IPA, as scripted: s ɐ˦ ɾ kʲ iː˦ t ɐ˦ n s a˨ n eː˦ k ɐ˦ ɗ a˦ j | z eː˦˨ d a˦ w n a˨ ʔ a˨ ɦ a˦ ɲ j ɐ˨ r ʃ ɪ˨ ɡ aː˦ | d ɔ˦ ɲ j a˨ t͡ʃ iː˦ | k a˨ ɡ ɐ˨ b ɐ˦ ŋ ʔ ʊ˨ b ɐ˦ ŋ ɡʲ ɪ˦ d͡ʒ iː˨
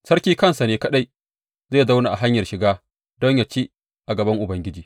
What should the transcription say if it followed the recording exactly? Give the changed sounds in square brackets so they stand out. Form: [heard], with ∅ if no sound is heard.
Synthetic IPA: s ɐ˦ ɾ kʲ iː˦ [k] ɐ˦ n s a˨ n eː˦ k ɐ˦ ɗ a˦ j | z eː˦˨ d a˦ w n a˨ ʔ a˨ ɦ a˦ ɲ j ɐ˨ r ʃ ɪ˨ ɡ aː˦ | d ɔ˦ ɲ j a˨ t͡ʃ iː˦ | [ʔ] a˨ ɡ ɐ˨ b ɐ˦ ŋ ʔ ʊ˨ b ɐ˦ ŋ ɡʲ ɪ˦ d͡ʒ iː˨